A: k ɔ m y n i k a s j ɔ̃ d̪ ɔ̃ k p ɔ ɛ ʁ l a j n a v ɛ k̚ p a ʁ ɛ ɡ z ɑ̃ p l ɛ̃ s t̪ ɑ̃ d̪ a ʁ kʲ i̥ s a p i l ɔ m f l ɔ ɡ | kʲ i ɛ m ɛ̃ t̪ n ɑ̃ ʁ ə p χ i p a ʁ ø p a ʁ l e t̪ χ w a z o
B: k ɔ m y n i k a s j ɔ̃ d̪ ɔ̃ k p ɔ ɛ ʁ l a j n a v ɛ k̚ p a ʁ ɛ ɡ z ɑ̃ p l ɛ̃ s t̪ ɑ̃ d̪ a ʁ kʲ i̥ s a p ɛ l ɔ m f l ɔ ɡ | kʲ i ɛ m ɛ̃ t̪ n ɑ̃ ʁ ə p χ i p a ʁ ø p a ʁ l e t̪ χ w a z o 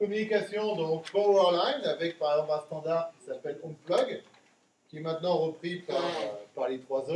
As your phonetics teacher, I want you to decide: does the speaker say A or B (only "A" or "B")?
B